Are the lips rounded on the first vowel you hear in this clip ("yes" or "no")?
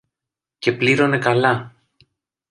no